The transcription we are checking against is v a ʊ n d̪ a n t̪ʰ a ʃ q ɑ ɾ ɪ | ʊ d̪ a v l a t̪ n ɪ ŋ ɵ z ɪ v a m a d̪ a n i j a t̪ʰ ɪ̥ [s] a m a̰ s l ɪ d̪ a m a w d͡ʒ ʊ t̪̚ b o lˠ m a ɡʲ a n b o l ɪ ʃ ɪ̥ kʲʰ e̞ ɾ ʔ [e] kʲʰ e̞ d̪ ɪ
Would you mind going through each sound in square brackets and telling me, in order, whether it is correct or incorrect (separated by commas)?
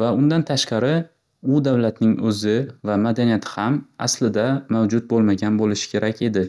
incorrect, incorrect